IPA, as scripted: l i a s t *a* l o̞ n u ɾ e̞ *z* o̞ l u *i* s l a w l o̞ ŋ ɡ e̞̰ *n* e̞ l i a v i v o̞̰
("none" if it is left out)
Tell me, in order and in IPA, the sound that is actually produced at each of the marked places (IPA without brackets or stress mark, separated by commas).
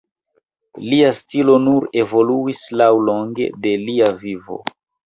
i, v, i, d